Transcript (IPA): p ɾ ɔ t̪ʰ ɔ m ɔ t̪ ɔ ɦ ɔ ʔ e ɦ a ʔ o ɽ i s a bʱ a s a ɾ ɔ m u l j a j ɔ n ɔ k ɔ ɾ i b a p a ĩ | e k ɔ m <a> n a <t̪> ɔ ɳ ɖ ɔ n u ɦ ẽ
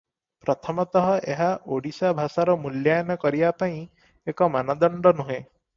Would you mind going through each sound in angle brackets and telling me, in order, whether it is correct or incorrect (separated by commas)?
correct, incorrect